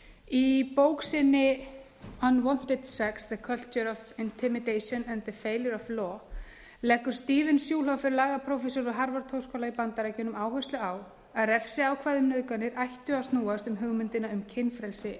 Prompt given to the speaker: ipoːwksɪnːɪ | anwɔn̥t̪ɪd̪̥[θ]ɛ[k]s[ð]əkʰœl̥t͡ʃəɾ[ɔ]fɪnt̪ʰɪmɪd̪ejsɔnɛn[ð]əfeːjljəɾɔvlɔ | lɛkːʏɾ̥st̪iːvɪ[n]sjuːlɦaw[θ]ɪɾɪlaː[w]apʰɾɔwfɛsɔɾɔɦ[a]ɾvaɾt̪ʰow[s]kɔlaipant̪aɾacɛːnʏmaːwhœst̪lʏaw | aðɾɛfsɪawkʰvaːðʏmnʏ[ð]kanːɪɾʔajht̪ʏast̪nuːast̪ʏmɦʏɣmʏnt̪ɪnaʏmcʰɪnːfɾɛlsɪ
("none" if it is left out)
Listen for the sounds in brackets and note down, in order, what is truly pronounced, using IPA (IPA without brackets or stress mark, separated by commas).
s, k, ð, ɔ, ð, n, f, ɣ, a, s, ð